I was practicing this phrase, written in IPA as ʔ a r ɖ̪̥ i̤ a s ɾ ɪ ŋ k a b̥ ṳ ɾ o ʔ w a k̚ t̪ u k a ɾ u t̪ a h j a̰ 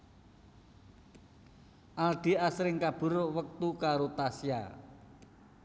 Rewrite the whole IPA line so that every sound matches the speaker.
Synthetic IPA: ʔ a l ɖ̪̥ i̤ a s ɾ ɪ ŋ k a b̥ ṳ ɾ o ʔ w ə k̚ t̪ u k a ɾ o t̪ a s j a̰

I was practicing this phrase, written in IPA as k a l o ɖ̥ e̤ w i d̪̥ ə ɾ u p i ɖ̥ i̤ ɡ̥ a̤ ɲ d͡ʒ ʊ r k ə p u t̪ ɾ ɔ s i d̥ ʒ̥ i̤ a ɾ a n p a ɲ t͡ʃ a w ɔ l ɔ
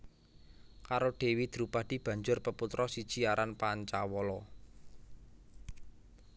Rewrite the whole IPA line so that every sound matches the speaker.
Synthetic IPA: k a ɾ o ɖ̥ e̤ w i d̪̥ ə ɾ u p a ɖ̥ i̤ b̥ a̤ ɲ d͡ʒ ʊ r p ə p u t̪ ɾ ɔ s i d̥ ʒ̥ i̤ a ɾ a n p a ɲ t͡ʃ a w ɔ l ɔ

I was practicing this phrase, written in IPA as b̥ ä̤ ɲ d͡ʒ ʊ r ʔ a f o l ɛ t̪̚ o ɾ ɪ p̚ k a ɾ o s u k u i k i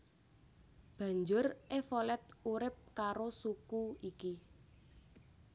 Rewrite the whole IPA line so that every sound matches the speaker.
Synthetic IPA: b̥ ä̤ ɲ d͡ʒ ʊ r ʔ e f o l ɛ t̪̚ u ɾ ɪ p̚ k a ɾ o s u k u i k i

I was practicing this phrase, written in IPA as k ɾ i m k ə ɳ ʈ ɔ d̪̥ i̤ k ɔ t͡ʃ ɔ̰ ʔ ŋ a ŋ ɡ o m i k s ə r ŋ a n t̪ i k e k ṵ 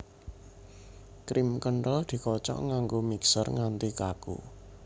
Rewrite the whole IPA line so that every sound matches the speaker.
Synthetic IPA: k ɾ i m k ə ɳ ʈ ɔ d̪̥ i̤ k ɔ t͡ʃ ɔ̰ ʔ ŋ a ŋ ɡ o m i k s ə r ŋ a n t̪ i k a k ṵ

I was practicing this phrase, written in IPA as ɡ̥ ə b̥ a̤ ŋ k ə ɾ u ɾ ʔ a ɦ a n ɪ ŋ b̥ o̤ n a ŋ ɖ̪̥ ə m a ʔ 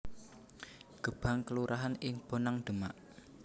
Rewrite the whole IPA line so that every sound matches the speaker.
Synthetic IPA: ɡ̥ ə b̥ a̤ ŋ k ə l u ɾ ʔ a ɦ a n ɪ ŋ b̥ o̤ n a ŋ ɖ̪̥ ə m a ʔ

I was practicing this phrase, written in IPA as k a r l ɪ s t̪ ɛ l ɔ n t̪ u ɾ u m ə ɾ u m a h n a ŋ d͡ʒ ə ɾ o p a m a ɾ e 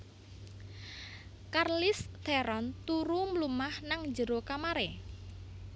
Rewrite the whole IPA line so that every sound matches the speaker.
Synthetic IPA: k a r l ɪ s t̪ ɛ ɾ ɔ n t̪ u ɾ u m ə l u m a h n a ŋ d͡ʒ ə ɾ o k a m a ɾ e

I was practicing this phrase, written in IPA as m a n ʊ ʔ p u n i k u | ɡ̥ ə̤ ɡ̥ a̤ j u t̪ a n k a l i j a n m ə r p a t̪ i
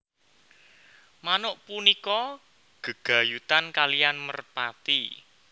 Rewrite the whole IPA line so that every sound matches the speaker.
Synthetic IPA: m a n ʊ ʔ p u n i k ɔ | ɡ̥ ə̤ ɡ̥ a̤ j u t̪ a n k a l i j a n m ə r p a t̪ i

